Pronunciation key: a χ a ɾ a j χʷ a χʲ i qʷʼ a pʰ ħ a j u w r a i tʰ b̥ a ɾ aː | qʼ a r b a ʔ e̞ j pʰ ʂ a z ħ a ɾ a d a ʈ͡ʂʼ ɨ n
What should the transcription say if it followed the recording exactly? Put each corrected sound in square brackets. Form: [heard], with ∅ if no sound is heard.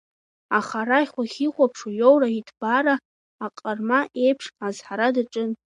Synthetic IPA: a χ a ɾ a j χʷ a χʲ i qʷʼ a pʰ [ʂ] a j [o] w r a i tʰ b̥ a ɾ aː | qʼ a r [m] a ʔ e̞ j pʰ ʂ a z ħ a ɾ a d a ʈ͡ʂʼ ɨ n